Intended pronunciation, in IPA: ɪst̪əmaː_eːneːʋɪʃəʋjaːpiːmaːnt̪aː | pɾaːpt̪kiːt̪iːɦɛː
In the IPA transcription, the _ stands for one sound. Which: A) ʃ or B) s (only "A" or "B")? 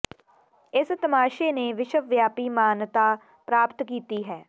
A